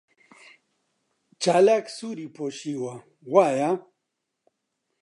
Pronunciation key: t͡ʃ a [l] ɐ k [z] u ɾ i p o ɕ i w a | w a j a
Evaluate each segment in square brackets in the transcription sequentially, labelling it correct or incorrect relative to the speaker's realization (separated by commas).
correct, incorrect